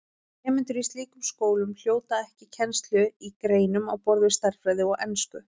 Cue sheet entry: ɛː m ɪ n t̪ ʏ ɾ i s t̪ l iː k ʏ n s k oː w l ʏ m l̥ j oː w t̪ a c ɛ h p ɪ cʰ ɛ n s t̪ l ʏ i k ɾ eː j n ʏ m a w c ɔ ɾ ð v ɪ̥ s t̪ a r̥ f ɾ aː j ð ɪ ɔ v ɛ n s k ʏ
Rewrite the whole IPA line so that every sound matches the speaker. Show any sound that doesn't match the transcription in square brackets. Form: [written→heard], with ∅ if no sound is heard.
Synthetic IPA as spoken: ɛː m ɪ n t̪ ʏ ɾ i s t̪ l iː k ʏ [n→m] s k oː w l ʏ m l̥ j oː w t̪ a [c→∅] ɛ h [p→c] ɪ cʰ ɛ n s t̪ l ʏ i k ɾ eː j n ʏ m a w [c→p] ɔ ɾ ð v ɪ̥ s t̪ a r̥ f ɾ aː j ð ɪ ɔ [v→ɣ] ɛ n s k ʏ